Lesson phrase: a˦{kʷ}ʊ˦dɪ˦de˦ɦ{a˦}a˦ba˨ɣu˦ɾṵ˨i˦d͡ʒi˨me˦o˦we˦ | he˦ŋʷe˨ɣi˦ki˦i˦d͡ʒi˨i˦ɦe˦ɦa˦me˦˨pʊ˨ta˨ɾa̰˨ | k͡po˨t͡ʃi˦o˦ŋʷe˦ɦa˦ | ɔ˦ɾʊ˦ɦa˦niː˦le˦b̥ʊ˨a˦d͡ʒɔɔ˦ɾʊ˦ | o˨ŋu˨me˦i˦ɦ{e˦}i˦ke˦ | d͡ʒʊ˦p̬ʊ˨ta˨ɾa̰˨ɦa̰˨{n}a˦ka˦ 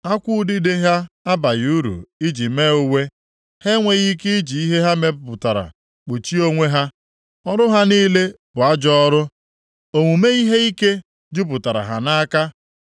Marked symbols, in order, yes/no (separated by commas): yes, yes, yes, yes